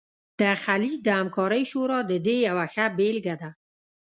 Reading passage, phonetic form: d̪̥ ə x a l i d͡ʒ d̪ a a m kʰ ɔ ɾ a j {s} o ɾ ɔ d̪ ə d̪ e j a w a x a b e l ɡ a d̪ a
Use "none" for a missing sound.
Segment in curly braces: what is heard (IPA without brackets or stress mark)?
ʃ